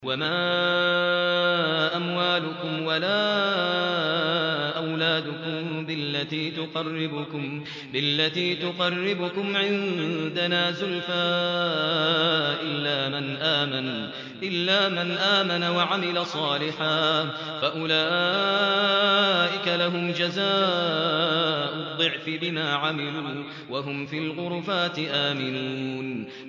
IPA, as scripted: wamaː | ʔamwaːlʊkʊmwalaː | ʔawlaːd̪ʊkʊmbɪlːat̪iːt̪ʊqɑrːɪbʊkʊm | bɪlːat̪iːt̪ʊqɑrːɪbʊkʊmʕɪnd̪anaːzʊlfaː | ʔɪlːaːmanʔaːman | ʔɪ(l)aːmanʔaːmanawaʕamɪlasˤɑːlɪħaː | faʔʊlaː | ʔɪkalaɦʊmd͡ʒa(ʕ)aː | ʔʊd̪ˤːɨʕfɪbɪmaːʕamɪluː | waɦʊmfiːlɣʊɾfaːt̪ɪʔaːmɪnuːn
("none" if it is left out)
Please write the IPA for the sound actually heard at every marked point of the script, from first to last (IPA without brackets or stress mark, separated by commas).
lː, z